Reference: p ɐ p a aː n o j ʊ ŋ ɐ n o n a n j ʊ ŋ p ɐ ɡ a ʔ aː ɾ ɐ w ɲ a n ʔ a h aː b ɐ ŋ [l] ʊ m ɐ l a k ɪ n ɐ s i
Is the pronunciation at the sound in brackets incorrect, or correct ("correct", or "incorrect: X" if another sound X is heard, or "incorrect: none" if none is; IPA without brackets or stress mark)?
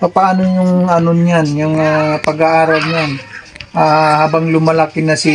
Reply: correct